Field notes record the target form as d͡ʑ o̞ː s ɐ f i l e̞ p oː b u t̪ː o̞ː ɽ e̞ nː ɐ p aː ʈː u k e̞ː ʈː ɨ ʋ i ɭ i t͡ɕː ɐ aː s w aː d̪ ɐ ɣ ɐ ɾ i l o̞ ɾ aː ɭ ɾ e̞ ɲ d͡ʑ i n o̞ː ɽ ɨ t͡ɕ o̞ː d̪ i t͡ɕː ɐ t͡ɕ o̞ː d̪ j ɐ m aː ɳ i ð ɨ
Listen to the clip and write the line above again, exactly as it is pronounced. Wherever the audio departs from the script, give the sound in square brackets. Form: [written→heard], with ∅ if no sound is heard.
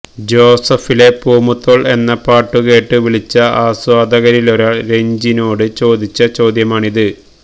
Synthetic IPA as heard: d͡ʑ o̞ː s ɐ f i l e̞ p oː [b→m] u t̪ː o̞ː [ɽ→ɭ] e̞ nː ɐ p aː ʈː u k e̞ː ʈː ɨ ʋ i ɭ i t͡ɕː ɐ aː s w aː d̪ ɐ ɣ ɐ ɾ i l o̞ ɾ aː ɭ ɾ e̞ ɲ d͡ʑ i n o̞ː ɽ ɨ t͡ɕ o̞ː d̪ i t͡ɕː ɐ t͡ɕ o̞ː d̪ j ɐ m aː ɳ i ð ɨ

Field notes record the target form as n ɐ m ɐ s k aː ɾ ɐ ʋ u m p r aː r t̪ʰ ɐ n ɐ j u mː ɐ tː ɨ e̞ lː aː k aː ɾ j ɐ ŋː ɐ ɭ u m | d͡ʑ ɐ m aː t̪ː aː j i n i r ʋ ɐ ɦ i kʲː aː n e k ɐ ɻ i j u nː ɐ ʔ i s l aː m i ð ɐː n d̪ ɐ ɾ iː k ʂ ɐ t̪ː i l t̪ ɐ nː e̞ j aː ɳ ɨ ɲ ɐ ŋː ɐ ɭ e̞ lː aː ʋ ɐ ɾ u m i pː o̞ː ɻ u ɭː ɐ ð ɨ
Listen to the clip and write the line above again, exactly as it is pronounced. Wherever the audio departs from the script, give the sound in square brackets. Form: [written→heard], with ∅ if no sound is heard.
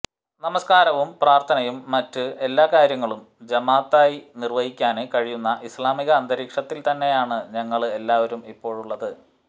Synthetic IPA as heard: n ɐ m ɐ s k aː ɾ ɐ ʋ u m p r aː r t̪ʰ ɐ n ɐ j u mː ɐ tː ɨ e̞ lː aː k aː ɾ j ɐ ŋː ɐ ɭ u m | d͡ʑ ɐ m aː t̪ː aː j i n i r ʋ ɐ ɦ i kʲː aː n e k ɐ ɻ i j u nː ɐ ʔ i s l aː m i [ð→ɣ] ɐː n d̪ ɐ ɾ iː k ʂ ɐ t̪ː i l t̪ ɐ nː e̞ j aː ɳ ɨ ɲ ɐ ŋː ɐ ɭ e̞ lː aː ʋ ɐ ɾ u m i pː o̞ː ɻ u ɭː ɐ ð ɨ

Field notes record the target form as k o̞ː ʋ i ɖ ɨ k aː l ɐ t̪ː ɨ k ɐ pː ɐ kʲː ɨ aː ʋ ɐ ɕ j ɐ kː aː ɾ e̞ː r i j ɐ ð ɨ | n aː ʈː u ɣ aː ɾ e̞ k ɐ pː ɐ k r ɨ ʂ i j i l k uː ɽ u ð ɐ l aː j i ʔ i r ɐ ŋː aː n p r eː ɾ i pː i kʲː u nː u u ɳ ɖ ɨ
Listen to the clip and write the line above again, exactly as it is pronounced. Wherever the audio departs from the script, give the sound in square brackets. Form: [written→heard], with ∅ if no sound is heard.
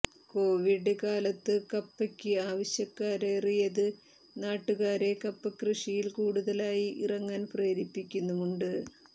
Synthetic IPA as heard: k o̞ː ʋ i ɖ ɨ k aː l ɐ t̪ː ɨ k ɐ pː ɐ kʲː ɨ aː ʋ ɐ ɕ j ɐ kː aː ɾ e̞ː r i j ɐ ð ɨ | n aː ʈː u ɣ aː ɾ e̞ k ɐ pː ɐ k r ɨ ʂ i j i l k uː ɽ u ð ɐ l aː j i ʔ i r ɐ ŋː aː n p r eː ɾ i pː i kʲː u nː u u ɳ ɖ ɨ

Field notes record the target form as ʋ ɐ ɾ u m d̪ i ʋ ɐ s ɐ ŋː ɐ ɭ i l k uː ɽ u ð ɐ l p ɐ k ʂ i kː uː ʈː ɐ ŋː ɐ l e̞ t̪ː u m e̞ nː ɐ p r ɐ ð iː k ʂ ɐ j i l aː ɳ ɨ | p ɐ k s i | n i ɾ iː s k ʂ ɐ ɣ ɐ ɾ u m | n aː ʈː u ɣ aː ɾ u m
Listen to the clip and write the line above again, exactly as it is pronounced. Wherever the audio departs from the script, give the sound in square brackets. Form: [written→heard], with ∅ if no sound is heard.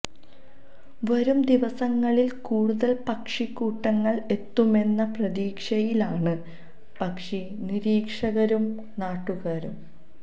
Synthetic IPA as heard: ʋ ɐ ɾ u m d̪ i ʋ ɐ s ɐ ŋː ɐ ɭ i l k uː ɽ u ð ɐ l p ɐ k ʂ i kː uː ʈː ɐ ŋː ɐ [l→ɭ] e̞ t̪ː u m e̞ nː ɐ p r ɐ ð iː k ʂ ɐ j i l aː ɳ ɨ | p ɐ k [s→ʂ] i | n i ɾ iː [s→∅] k ʂ ɐ ɣ ɐ ɾ u m | n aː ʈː u ɣ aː ɾ u m

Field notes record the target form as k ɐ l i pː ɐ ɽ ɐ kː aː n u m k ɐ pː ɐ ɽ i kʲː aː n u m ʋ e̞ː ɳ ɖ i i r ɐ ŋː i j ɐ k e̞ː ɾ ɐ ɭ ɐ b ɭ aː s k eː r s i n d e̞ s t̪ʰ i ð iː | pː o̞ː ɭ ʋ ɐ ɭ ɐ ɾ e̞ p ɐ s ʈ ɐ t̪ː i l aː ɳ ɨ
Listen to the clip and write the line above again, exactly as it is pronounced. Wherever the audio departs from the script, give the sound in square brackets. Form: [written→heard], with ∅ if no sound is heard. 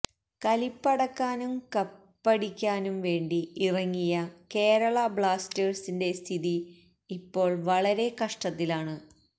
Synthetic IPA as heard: k ɐ l i pː ɐ ɽ ɐ kː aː n u m k ɐ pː ɐ ɽ i kʲː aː n u m ʋ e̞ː ɳ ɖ i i r ɐ ŋː i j ɐ k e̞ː ɾ ɐ ɭ ɐ b ɭ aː s [k→t] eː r s i n d e̞ s t̪ʰ i ð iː | pː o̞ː ɭ ʋ ɐ ɭ ɐ ɾ e̞ [p→k] ɐ [s→ʂ] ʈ ɐ t̪ː i l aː ɳ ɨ

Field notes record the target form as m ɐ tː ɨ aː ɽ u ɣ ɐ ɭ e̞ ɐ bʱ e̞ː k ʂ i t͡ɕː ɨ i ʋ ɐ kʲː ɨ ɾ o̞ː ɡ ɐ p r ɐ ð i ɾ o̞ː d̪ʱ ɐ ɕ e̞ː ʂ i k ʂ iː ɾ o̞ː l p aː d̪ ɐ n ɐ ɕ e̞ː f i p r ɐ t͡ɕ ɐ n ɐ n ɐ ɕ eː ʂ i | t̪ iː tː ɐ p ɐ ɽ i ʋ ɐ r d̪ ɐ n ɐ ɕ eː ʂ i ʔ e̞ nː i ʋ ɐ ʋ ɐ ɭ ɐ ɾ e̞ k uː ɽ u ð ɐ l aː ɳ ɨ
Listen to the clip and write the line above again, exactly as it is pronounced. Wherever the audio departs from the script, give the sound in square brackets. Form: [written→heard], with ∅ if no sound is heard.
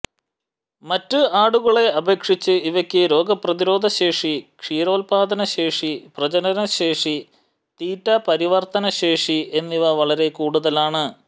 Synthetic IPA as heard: m ɐ tː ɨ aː ɽ u ɣ ɐ ɭ e̞ ɐ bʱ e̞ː k ʂ i t͡ɕː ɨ i ʋ ɐ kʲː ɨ ɾ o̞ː ɡ ɐ p r ɐ ð i ɾ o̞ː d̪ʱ ɐ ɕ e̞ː ʂ i k ʂ iː ɾ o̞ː l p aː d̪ ɐ n ɐ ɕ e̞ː [f→ʂ] i p r ɐ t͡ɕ ɐ n ɐ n ɐ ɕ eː ʂ i | t̪ iː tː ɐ p ɐ [ɽ→ɾ] i ʋ ɐ r [d̪→t̪] ɐ n ɐ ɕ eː ʂ i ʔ e̞ nː i ʋ ɐ ʋ ɐ ɭ ɐ ɾ e̞ k uː ɽ u ð ɐ l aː ɳ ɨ

